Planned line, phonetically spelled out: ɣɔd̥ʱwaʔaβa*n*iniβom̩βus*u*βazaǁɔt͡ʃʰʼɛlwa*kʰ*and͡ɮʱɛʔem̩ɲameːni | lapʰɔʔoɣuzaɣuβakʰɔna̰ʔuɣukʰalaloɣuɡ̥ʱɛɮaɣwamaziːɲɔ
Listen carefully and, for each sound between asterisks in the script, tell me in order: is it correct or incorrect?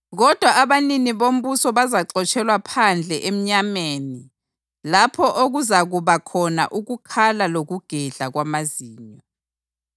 correct, incorrect: ɔ, incorrect: pʰ

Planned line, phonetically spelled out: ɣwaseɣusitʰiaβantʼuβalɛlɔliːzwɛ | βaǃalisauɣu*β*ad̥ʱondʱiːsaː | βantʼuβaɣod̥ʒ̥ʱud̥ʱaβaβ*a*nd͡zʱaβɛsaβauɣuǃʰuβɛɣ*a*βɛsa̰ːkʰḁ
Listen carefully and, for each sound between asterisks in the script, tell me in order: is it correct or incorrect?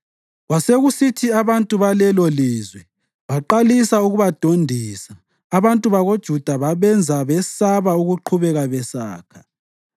correct, incorrect: ɛ, correct

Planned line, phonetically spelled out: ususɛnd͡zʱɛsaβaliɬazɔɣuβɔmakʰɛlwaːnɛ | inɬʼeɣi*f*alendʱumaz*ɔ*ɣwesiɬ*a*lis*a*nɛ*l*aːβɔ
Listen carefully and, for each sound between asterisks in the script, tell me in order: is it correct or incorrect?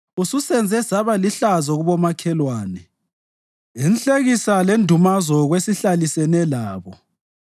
incorrect: s, correct, correct, incorrect: ɛ, correct

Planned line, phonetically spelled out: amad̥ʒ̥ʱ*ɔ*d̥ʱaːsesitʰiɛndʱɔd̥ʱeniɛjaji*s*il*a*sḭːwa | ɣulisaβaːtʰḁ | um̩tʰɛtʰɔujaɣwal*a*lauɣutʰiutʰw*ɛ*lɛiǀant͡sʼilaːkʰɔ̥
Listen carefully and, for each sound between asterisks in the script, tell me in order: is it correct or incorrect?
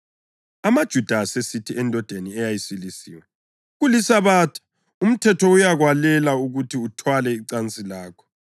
incorrect: u, correct, incorrect: i, incorrect: ɛ, incorrect: a

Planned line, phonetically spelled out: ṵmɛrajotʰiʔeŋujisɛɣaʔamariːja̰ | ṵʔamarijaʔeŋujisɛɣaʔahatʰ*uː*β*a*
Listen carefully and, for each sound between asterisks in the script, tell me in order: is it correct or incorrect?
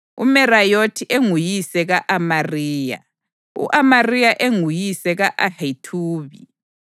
correct, incorrect: i

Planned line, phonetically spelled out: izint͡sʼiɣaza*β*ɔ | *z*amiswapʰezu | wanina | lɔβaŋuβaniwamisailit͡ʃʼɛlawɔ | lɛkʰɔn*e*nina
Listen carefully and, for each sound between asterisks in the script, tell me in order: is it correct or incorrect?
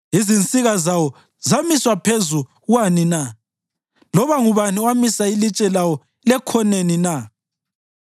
incorrect: w, correct, correct

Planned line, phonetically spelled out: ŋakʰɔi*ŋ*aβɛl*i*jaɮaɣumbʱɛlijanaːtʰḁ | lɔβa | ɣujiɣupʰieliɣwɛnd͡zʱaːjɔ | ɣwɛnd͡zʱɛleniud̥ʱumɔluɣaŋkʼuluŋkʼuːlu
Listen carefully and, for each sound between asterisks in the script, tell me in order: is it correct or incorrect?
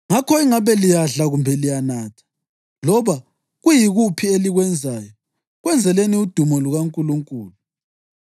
correct, correct

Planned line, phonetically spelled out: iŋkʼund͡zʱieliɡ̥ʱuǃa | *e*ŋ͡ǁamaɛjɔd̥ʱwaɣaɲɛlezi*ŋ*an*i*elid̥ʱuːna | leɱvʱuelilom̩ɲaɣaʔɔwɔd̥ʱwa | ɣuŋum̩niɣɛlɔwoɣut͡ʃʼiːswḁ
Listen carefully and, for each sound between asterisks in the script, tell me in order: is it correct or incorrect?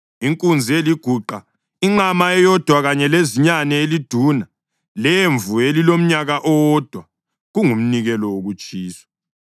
incorrect: i, incorrect: ɲ, incorrect: ɛ

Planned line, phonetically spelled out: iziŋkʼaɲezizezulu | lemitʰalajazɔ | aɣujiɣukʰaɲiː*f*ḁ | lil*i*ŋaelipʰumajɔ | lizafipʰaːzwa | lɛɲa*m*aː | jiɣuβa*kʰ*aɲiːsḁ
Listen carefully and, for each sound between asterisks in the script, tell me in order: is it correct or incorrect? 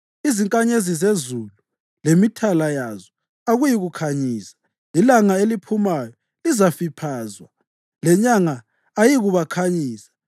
incorrect: s, incorrect: a, incorrect: ŋ, correct

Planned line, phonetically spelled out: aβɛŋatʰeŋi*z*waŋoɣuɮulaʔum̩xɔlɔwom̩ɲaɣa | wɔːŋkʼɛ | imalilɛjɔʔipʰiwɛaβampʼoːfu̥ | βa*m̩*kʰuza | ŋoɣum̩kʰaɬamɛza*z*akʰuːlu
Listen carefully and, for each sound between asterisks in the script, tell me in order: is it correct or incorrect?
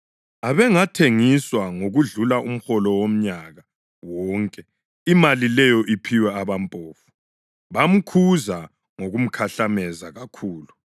incorrect: s, correct, incorrect: ɣ

